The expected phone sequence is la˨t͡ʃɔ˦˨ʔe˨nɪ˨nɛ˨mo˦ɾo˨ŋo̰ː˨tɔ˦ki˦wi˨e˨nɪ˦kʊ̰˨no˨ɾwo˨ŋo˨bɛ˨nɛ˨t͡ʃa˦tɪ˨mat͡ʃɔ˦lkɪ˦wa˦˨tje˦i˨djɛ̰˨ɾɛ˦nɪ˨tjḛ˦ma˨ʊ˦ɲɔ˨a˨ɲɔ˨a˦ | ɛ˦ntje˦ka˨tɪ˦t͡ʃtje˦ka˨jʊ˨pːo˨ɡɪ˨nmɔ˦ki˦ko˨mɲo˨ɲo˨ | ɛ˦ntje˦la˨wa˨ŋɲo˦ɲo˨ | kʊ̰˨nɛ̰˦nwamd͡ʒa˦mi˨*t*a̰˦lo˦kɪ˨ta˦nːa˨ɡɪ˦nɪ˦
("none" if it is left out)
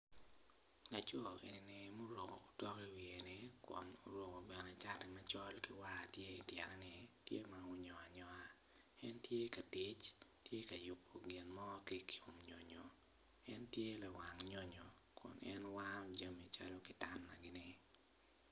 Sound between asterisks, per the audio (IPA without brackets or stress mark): t͡ʃ